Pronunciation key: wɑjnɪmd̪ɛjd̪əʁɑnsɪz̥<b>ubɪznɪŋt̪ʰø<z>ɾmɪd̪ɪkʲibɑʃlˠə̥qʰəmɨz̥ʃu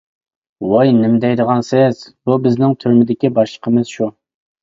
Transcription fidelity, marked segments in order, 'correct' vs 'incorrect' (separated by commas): correct, incorrect